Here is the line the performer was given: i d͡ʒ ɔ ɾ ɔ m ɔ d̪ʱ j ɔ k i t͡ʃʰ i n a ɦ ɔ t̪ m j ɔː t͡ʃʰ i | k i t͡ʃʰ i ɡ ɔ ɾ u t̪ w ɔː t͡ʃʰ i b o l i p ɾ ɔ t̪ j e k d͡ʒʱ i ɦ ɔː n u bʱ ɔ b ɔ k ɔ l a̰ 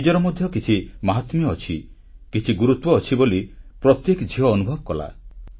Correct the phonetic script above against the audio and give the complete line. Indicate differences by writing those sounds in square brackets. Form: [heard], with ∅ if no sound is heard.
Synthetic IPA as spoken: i d͡ʒ ɔ ɾ ɔ m ɔ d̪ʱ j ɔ k i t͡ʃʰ i [m] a ɦ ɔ t̪ m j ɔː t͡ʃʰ i | k i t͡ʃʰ i ɡ [u] ɾ u t̪ w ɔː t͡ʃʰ i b o l i p ɾ ɔ t̪ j e k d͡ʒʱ i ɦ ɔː n u bʱ ɔ b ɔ k ɔ l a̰